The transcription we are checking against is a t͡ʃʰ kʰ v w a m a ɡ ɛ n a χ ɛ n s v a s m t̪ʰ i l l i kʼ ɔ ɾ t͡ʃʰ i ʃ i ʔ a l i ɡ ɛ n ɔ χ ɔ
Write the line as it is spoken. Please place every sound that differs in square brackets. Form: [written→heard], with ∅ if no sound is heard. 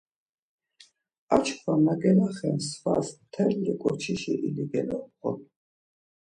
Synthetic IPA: a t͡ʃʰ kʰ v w a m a ɡ ɛ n a χ ɛ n s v a s m t̪ʰ [i→ɛ] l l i kʼ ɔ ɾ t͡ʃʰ i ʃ i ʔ [a→i] l i ɡ ɛ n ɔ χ ɔ